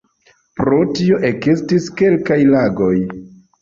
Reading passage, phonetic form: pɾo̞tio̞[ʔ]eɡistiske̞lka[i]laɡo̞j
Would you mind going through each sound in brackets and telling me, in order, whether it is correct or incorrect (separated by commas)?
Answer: correct, incorrect